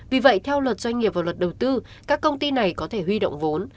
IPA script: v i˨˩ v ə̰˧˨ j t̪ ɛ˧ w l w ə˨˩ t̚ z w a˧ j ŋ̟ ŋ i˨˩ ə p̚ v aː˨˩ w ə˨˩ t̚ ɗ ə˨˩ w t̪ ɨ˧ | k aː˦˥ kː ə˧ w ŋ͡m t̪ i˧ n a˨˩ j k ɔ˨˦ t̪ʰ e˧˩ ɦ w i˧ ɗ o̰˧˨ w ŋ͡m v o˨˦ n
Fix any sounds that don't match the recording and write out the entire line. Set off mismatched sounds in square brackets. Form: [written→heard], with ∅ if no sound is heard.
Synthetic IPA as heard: v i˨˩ v ə̰˧˨ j [t̪→t̪ʰ] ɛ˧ w l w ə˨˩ t̚ z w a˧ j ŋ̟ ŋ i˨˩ ə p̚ v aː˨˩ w ə˨˩ t̚ ɗ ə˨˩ w t̪ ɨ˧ | k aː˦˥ kː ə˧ w ŋ͡m t̪ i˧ n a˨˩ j k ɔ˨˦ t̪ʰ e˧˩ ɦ w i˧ ɗ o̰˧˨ w ŋ͡m v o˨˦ n